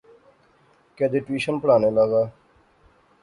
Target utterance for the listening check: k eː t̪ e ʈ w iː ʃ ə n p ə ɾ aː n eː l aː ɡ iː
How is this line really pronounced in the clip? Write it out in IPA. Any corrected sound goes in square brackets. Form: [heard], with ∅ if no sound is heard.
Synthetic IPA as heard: k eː [d̪] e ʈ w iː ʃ ə n p ə [ɽ] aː n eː l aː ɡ [aː]